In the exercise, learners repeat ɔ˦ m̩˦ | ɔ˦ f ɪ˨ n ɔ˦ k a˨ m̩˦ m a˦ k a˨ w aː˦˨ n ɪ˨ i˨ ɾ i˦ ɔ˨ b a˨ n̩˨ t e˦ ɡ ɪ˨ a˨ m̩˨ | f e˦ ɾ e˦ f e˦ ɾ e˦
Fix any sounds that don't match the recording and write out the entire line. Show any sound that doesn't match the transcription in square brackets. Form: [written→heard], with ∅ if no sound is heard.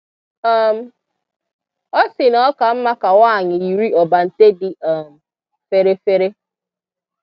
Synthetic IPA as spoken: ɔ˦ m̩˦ | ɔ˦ [f→s] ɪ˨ n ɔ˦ k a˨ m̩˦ m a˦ k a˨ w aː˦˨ [n→ɲ] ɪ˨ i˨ ɾ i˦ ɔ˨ b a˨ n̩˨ t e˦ [ɡ→d] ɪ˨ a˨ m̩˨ | f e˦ ɾ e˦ f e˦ ɾ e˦

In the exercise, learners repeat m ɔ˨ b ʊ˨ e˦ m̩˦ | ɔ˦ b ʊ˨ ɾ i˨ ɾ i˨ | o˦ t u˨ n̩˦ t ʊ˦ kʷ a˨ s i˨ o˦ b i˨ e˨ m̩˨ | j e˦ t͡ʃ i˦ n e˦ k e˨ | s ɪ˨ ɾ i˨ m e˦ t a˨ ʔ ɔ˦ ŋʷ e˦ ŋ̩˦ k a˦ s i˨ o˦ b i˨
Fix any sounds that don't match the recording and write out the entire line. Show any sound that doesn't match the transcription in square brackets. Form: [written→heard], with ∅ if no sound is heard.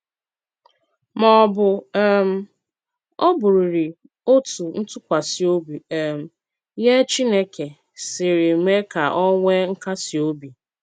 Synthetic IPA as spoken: m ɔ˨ b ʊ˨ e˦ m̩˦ | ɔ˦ b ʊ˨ ɾ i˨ ɾ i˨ | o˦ t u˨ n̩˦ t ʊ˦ kʷ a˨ s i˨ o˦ b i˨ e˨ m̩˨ | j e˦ t͡ʃ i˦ n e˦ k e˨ | s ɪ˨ ɾ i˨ m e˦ [t→k] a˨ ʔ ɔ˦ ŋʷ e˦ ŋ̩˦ k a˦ s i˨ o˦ b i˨

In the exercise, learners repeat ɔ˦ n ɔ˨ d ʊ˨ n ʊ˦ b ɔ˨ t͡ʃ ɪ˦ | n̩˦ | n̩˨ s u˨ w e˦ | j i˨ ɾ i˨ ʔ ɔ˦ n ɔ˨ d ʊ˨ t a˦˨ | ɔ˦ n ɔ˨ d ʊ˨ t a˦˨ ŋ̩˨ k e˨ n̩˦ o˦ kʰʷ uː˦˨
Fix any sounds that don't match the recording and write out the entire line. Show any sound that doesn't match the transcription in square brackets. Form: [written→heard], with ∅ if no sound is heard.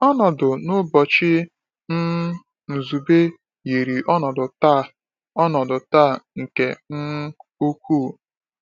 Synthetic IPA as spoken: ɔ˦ n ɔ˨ d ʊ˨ n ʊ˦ b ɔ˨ t͡ʃ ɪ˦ | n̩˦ | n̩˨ [s→z] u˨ [w→b] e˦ | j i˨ ɾ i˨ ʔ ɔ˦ n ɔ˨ d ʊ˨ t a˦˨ | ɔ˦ n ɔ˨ d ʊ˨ t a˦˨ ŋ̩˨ k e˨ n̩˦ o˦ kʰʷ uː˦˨

